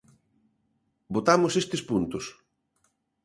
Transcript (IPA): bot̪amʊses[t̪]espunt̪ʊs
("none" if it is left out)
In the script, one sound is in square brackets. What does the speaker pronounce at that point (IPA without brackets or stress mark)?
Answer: t̪